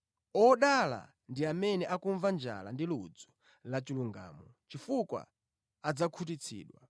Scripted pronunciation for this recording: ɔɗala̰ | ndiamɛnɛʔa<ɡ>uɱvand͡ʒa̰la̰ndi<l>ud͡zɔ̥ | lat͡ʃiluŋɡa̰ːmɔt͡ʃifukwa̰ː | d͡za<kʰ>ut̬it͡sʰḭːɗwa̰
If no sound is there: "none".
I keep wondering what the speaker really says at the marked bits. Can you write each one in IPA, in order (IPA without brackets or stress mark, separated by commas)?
k, l, kʰ